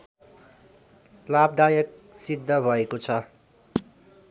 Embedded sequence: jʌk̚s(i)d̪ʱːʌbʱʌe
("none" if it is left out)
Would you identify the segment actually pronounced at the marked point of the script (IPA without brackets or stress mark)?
i